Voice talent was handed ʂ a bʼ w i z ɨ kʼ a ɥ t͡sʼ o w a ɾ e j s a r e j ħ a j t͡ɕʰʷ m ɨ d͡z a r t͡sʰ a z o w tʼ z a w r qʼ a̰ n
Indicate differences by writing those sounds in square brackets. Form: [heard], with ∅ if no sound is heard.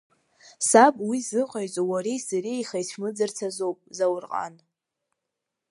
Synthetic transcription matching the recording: [s] a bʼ w i z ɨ [qʼ] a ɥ t͡sʼ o w a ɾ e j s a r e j [χ] a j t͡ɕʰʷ m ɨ d͡z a r t͡sʰ a z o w [pʼ] z a w r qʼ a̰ n